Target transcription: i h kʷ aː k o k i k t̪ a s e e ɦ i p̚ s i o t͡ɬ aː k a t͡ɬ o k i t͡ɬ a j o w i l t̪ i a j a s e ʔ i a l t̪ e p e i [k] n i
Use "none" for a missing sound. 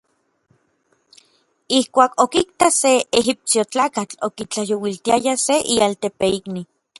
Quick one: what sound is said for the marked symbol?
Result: k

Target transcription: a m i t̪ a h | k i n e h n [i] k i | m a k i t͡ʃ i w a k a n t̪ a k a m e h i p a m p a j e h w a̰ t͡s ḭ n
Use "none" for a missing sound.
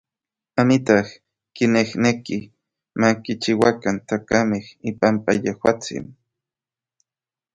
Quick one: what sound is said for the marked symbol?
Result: e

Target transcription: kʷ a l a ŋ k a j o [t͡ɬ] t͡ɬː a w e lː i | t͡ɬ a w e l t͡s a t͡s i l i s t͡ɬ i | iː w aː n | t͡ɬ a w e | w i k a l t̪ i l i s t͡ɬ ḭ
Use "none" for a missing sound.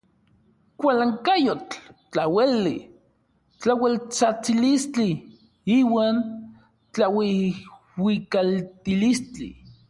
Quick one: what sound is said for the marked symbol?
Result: t͡ɬ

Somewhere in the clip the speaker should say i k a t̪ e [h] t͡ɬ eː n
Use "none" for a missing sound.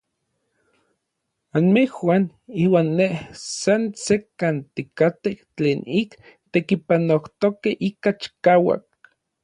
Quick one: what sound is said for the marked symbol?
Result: h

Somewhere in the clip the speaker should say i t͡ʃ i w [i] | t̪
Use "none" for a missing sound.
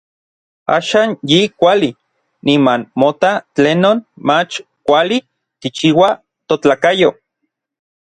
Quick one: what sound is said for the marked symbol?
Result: a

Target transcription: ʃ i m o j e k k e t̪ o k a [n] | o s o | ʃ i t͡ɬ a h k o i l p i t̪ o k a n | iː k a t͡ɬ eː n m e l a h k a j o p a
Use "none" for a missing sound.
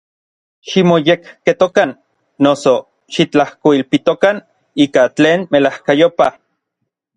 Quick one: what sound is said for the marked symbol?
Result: nː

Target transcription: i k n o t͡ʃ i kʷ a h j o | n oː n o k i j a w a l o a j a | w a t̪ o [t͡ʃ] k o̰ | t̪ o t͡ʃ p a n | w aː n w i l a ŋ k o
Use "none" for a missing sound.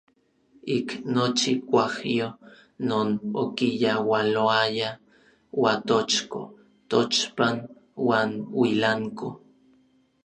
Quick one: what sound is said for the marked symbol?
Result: t͡ʃ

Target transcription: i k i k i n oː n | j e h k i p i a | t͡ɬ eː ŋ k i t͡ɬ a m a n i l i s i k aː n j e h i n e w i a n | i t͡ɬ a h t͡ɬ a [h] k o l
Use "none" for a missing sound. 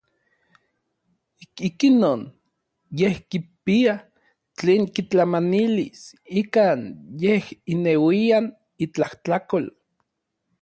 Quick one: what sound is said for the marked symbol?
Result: none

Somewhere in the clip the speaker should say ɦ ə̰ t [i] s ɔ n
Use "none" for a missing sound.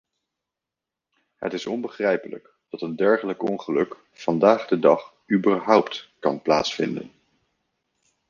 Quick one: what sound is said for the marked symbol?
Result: ɪ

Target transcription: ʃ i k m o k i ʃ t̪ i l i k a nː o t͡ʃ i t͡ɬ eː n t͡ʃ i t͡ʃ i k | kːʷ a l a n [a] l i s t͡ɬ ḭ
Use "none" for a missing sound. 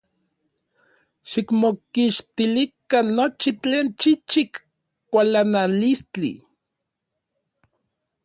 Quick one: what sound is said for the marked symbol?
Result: a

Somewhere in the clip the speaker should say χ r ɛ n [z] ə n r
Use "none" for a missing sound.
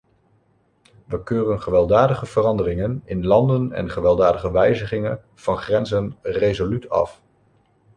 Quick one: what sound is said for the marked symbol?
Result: z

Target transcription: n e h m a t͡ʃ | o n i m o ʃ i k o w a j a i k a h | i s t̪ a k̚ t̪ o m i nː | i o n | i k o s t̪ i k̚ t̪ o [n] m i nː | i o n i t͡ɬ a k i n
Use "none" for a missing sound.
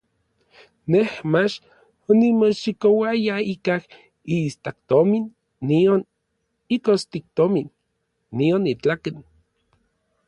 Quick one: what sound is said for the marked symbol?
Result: none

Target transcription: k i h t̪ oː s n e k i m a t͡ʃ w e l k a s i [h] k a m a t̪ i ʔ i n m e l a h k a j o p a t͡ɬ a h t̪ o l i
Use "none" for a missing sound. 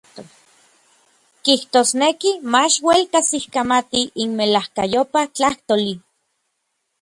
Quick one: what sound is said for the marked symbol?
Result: h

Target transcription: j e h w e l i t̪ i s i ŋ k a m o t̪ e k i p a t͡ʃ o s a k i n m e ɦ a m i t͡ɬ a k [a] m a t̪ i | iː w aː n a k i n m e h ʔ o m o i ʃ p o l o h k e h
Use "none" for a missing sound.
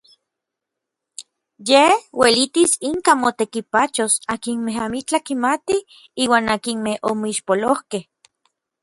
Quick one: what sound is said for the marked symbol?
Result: i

